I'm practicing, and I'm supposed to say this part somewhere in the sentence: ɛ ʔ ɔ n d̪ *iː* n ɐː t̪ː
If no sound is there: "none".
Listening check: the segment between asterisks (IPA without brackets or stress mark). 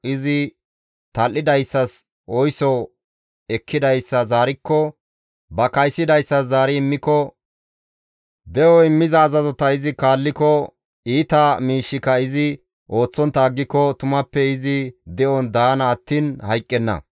aː